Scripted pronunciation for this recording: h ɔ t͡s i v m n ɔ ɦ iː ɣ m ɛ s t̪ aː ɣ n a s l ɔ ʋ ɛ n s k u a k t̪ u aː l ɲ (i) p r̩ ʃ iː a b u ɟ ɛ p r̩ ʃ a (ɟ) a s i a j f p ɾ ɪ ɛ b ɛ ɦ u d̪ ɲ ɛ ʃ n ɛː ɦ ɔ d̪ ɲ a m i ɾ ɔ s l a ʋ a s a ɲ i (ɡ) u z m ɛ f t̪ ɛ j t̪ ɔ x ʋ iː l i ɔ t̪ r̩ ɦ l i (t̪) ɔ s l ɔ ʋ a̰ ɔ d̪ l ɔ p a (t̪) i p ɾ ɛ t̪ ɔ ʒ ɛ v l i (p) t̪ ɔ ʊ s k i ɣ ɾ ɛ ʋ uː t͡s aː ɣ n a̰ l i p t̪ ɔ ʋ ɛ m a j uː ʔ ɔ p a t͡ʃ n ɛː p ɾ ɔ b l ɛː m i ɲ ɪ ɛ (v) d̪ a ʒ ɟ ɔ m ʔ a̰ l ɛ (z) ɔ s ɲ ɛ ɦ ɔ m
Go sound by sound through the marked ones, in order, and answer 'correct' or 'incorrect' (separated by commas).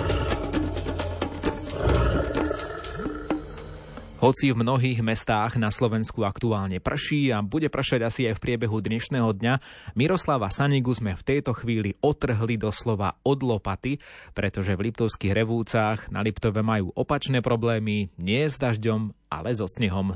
incorrect, correct, correct, incorrect, correct, correct, incorrect, correct